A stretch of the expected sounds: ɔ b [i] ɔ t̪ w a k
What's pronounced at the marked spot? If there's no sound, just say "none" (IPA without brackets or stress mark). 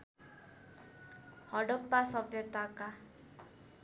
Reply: j